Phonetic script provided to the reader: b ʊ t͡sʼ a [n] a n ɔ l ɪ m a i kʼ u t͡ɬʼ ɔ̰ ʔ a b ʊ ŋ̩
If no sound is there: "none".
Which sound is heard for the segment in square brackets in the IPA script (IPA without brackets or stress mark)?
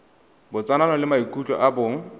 n